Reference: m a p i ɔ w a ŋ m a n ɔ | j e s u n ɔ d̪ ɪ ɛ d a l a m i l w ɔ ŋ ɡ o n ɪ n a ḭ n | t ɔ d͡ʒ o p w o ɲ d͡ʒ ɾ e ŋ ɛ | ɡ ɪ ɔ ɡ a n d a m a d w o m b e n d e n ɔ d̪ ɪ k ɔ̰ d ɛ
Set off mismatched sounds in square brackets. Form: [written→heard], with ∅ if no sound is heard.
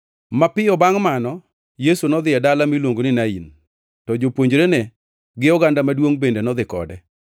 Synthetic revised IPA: m a p [i→ɪ] ɔ [w→b] a ŋ m a n ɔ | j e s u n ɔ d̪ ɪ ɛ d a l a m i l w [ɔ→o] ŋ ɡ o n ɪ n a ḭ n | t ɔ d͡ʒ o p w o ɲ d͡ʒ ɾ e [ŋ→n] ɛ | ɡ ɪ ɔ ɡ a n d a m a d w o [m→ŋ] b e n d e n ɔ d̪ ɪ k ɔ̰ d ɛ